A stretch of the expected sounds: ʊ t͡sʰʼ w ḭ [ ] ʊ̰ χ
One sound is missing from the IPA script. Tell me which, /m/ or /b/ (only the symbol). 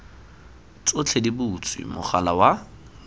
m